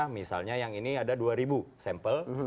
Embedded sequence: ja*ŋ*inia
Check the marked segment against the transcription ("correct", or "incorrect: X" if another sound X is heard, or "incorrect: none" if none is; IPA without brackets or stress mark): correct